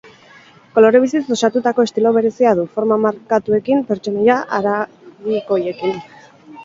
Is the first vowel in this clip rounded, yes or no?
yes